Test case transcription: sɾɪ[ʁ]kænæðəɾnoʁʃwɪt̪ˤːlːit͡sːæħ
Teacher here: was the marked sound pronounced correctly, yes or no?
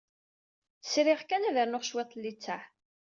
yes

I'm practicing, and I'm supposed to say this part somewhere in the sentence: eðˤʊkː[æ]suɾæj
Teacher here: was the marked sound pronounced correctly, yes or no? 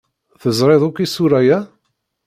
no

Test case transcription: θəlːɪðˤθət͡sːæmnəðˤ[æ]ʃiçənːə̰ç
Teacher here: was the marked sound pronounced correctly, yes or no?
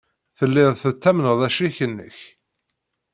yes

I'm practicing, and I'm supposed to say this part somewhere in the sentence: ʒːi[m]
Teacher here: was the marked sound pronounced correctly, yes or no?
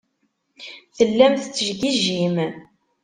yes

